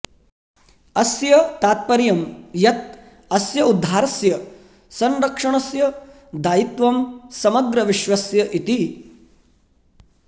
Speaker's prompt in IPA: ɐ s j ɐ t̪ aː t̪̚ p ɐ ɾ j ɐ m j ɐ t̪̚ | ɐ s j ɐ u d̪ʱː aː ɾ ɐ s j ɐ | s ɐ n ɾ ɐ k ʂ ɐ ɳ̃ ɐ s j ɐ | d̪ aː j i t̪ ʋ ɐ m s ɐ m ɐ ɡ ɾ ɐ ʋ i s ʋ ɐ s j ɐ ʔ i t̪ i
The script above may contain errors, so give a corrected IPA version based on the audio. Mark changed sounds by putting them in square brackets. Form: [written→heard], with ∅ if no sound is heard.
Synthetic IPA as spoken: ɐ s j ɐ t̪ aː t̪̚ p ɐ ɾ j ɐ m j ɐ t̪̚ | ɐ s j ɐ u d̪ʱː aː ɾ ɐ s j ɐ | s ɐ n ɾ ɐ k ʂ ɐ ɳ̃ ɐ s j ɐ | d̪ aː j i t̪ ʋ ɐ m s ɐ m ɐ ɡ ɾ ɐ ʋ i [s→ʃ] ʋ ɐ s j ɐ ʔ i t̪ i